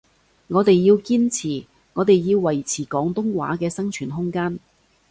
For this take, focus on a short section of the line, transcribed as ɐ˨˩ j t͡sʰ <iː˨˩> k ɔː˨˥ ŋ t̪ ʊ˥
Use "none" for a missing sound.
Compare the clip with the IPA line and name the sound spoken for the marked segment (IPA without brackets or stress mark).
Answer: iː˨˩